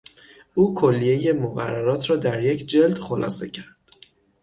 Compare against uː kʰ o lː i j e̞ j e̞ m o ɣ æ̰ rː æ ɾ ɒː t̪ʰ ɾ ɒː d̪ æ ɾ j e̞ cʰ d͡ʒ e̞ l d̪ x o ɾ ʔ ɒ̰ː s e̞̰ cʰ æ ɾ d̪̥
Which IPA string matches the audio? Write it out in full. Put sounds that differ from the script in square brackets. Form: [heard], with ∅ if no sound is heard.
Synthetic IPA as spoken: uː kʰ o lː i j e̞ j e̞ m o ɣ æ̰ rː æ ɾ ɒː t̪ʰ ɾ ɒː d̪ æ ɾ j e̞ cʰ d͡ʒ e̞ l d̪ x o [l] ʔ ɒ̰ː s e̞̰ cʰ æ ɾ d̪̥